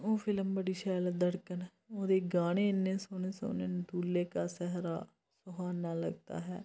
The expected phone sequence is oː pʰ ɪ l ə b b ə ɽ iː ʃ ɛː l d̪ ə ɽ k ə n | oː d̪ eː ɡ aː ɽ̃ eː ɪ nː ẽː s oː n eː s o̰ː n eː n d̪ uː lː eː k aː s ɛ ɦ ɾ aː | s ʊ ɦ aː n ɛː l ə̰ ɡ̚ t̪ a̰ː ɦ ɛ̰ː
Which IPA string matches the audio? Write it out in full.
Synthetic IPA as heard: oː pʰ ɪ l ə m b ə ɽ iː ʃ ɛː l d̪ ə ɽ k ə n | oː d̪ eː ɡ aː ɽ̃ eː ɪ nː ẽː s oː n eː s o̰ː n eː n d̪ uː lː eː k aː s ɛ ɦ ɾ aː | s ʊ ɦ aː n aː l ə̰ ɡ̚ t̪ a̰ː ɦ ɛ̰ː